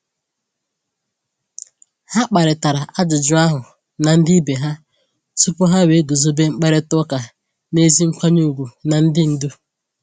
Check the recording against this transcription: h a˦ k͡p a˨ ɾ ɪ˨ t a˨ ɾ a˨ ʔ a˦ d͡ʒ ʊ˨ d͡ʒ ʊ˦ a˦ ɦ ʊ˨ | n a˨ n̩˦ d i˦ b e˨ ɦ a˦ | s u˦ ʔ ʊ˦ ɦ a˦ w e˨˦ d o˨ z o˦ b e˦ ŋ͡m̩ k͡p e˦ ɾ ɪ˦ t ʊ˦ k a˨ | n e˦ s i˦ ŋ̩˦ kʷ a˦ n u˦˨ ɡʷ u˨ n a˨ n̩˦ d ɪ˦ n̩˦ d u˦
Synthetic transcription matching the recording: h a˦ k͡p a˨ ɾ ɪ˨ t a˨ ɾ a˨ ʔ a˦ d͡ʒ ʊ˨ d͡ʒ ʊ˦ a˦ ɦ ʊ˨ | n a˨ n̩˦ d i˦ b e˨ ɦ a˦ | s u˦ p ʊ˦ ɦ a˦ w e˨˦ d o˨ z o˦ b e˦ ŋ͡m̩ k͡p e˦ ɾ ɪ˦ t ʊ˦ k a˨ | n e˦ z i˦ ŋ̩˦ kʷ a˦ ɲ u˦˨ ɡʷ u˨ n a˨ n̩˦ d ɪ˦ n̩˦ d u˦